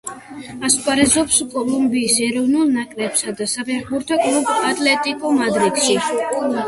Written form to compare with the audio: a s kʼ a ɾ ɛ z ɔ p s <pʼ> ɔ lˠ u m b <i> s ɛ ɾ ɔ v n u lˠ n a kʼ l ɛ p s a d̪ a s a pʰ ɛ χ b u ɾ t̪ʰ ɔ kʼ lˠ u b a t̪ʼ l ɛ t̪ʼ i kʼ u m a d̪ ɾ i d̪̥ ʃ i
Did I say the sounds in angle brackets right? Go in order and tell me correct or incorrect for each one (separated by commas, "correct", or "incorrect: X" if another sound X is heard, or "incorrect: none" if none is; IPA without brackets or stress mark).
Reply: incorrect: kʼ, incorrect: iː